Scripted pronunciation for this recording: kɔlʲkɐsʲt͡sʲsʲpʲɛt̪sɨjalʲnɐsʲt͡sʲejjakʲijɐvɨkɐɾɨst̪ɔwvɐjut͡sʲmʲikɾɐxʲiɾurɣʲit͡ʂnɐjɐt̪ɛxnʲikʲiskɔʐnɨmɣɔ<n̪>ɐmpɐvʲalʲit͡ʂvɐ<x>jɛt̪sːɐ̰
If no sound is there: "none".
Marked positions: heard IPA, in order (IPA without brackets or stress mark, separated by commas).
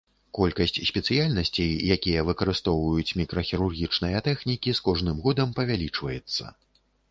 d̪, none